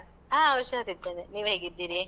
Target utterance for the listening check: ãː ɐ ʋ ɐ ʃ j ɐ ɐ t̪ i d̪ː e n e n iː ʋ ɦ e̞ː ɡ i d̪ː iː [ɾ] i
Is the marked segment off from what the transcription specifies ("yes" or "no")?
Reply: no